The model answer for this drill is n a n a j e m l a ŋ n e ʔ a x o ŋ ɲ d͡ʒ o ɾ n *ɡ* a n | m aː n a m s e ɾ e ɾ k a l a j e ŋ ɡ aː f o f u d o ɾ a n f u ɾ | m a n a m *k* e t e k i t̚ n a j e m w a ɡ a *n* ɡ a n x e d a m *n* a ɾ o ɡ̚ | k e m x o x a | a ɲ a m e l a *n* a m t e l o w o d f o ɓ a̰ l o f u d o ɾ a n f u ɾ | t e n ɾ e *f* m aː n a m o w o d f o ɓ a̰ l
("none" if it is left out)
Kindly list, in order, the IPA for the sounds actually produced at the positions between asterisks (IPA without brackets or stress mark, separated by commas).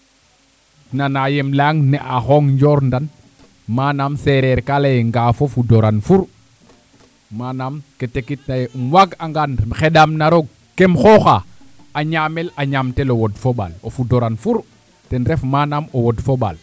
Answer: d, k, ŋ, n, ɲ, f